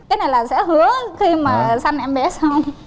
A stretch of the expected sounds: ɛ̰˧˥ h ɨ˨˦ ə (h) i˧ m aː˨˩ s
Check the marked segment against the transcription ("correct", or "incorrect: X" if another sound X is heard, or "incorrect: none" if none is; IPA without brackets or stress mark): incorrect: x